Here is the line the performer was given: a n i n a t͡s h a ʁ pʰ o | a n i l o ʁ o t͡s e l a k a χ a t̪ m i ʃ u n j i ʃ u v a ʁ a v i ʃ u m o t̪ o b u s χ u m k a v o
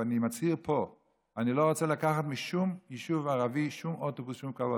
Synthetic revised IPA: a n i m a t͡s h i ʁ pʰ o | a n i l o ʁ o t͡s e l a k a χ a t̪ m i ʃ u m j i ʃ u v a ʁ a v i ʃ u m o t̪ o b u s ʃ u m k a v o

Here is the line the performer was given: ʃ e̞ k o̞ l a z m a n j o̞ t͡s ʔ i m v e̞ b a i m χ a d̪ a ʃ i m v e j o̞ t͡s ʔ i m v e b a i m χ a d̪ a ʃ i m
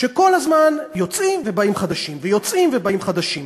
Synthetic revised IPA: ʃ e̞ k o̞ l a z m a n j o̞ t͡s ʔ i m v e̞ b a i m χ a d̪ a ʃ i m v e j o̞ t͡s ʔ i m v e b a i m χ a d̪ a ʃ i m

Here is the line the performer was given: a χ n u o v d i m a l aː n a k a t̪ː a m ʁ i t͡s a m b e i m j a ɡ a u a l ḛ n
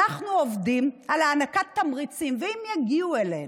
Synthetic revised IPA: a χ n u o v d i m a l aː n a k a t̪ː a m ʁ i t͡s i m v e i m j a ɡ i u e l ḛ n

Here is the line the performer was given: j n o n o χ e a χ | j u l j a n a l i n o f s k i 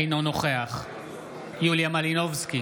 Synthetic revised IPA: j n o n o χ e a χ | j u l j a m a l i n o v s k i

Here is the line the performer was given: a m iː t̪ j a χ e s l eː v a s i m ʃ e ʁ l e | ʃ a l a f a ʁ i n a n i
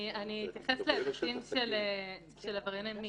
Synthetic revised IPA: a n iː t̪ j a χ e s l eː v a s i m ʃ e l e | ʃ e l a v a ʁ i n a m i

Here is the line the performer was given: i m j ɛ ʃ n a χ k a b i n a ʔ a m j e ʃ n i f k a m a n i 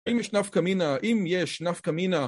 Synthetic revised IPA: i m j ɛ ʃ n a f k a m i n a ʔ i m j e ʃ n a f k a m i n a

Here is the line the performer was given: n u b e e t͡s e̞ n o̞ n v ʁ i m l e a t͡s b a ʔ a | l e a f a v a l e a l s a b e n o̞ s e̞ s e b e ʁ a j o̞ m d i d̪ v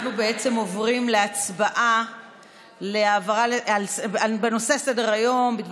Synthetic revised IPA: n u b e e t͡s e̞ m o̞ v ʁ i m l e a t͡s b a ʔ a | l e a v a ʁ a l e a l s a b e n o̞ s e̞ s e d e ʁ a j o̞ m b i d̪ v

